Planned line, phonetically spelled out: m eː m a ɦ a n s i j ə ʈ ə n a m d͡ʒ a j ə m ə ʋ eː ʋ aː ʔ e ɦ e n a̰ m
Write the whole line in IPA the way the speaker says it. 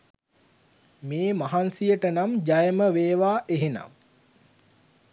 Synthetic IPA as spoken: m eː m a ɦ a n s i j ə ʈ ə n a m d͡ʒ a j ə m ə ʋ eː ʋ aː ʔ e ɦ e n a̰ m